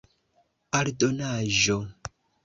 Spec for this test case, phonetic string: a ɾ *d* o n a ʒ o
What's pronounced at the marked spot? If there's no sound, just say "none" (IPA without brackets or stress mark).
d